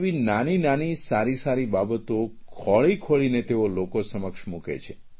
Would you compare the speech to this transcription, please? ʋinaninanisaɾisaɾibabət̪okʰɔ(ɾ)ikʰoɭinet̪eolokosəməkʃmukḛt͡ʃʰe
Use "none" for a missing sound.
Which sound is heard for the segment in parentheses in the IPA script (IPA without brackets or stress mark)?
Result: ɭ